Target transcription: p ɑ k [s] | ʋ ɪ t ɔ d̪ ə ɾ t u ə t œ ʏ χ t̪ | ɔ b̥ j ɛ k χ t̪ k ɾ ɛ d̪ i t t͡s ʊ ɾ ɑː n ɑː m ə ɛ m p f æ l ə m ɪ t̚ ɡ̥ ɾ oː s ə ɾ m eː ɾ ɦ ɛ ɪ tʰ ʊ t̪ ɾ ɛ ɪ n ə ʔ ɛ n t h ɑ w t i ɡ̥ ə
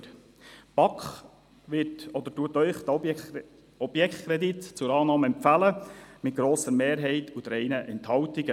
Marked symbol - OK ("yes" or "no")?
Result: no